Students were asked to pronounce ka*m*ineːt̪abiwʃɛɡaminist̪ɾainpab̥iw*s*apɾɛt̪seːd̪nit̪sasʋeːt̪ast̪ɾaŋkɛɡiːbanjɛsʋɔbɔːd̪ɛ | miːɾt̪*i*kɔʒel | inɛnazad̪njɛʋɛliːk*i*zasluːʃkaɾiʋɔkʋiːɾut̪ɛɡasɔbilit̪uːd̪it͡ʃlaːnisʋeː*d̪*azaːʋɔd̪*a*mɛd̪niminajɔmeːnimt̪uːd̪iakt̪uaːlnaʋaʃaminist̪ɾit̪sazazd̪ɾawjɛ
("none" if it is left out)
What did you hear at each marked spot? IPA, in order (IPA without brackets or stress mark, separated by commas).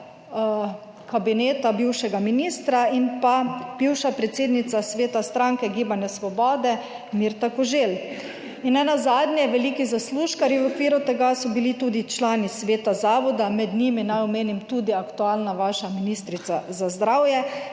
b, ʃ, a, i, t̪, a